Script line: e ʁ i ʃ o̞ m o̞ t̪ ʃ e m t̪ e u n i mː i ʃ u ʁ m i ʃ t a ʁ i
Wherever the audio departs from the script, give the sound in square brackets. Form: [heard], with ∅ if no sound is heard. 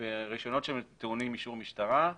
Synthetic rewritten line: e ʁ i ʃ o̞ [n] o̞ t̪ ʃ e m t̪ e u n i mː i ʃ u ʁ m i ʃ t a ʁ [a]